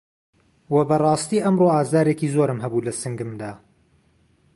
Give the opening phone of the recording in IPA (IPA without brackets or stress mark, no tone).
w